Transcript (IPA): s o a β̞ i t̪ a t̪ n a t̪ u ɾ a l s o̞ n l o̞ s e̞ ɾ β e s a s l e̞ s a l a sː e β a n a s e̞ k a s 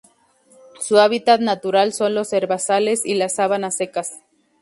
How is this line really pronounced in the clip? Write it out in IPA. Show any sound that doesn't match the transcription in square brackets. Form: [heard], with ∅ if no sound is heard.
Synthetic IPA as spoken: s [u] a β̞ i t̪ a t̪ n a t̪ u ɾ a l s o̞ n l o̞ s e̞ ɾ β [a] s a [∅] l e̞ s [i] l a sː [a] β a n a s e̞ k a s